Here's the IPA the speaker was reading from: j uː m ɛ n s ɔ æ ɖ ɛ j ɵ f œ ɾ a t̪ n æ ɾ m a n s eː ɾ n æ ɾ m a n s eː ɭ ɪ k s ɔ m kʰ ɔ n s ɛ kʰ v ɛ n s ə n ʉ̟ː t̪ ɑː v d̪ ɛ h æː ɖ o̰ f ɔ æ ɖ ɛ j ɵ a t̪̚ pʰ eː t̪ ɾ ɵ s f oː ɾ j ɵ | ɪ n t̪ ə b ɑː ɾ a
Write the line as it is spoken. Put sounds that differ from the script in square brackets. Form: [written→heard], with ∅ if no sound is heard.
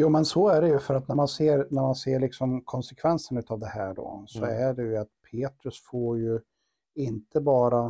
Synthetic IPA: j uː m ɛ n s ɔ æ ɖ ɛ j ɵ f œ ɾ a t̪ n æ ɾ m a n s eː ɾ n æ ɾ m a n s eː ɭ ɪ k s ɔ m kʰ ɔ n s ɛ kʰ v ɛ n s ə n ʉ̟ː t̪ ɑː v d̪ ɛ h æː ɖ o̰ [f→s] ɔ æ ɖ ɛ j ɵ a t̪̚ pʰ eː t̪ ɾ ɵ s f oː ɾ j ɵ | ɪ n t̪ ə b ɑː ɾ a